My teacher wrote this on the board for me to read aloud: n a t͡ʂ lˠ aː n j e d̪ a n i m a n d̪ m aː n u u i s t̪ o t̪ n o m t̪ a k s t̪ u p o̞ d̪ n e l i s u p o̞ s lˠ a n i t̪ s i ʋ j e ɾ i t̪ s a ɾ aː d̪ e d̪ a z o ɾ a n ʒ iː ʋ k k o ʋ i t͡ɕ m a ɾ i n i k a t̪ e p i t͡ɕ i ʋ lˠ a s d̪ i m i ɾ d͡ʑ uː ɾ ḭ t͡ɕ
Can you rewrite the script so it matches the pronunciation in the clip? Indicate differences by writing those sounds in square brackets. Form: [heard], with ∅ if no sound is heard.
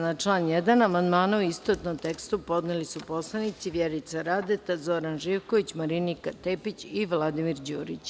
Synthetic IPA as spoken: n a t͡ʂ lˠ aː n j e d̪ a n [a] m a n d̪ m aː n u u i s t̪ o t̪ n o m t̪ [e] k s t̪ u p o̞ d̪ n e l i s u p o̞ s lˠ a n i t̪ s i ʋ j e ɾ i t̪ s a ɾ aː d̪ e [t̪] a z o ɾ a n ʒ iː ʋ k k o ʋ i t͡ɕ m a ɾ i n i k a t̪ e p i t͡ɕ i ʋ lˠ a [∅] d̪ i m i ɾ d͡ʑ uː ɾ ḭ t͡ɕ